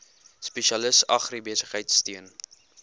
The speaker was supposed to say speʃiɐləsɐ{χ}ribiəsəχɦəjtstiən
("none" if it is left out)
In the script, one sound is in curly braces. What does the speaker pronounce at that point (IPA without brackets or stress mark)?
χ